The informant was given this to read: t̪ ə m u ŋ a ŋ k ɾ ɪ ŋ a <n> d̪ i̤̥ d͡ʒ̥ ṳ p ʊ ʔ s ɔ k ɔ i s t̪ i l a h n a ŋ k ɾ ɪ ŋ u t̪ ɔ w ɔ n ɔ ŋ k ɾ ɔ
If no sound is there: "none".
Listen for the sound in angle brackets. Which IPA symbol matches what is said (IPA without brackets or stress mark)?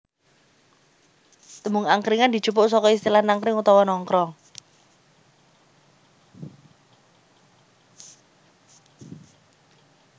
n